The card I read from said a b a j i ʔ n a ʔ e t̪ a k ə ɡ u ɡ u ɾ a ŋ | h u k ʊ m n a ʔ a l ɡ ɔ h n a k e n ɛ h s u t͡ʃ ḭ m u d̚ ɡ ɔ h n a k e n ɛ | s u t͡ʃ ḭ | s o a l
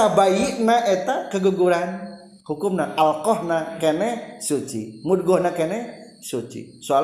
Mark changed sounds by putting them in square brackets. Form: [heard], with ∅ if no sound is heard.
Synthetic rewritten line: a b a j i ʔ n a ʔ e t̪ a k ə ɡ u ɡ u ɾ a [n] | h u k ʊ m n a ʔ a l [k] ɔ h n a k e n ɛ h s u t͡ʃ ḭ m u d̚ ɡ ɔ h n a k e n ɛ | s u t͡ʃ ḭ | s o a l